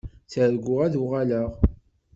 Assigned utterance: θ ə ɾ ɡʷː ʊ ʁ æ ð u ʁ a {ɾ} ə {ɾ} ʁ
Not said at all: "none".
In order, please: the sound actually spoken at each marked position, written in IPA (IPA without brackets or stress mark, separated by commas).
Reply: l, none